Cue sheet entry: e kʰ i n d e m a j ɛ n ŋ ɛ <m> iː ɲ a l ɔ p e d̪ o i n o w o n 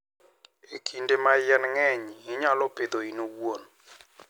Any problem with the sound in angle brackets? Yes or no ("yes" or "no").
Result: yes